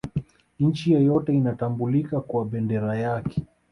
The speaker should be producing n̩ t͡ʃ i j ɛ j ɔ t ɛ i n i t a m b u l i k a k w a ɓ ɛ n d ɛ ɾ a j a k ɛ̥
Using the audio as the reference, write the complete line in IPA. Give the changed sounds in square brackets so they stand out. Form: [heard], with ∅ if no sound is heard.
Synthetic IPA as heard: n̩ t͡ʃ i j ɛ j ɔ t ɛ i n [a] t a m b u l i k a k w a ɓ ɛ n d ɛ ɾ a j a k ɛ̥